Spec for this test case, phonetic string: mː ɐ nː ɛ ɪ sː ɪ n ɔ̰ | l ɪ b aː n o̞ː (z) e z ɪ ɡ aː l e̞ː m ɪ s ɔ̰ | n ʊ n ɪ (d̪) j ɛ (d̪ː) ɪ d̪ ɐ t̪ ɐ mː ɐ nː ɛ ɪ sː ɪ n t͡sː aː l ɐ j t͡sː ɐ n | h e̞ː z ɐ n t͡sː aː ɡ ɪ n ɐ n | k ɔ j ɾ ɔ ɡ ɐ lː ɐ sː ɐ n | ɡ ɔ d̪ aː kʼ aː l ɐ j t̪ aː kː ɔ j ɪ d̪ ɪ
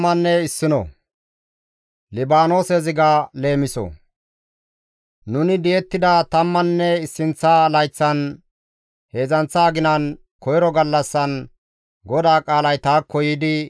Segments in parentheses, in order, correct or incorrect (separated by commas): incorrect, correct, incorrect